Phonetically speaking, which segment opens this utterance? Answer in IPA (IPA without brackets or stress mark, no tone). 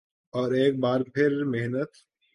ɔː